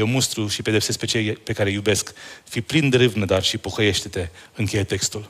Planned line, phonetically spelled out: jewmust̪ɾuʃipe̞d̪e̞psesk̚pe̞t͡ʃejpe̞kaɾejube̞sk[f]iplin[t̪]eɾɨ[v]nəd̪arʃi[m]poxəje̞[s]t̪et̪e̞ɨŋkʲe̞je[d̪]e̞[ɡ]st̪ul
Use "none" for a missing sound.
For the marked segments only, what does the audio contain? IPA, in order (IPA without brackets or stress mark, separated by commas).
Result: f, d̪, v, none, ʃ, t̪, k